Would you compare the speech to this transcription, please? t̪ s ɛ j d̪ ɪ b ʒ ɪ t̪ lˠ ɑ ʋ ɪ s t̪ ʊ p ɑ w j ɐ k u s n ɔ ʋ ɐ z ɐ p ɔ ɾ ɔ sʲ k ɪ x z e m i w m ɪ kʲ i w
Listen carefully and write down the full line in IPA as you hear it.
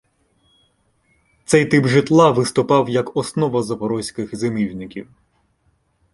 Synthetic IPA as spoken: t̪ s ɛ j t̪ ɪ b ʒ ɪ t̪ lˠ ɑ ʋ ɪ s t̪ ʊ p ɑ w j ɐ k ɔ s n ɔ ʋ ɐ z ɐ p ɔ ɾ ɔ sʲ k ɪ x z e m i w n ɪ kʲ i w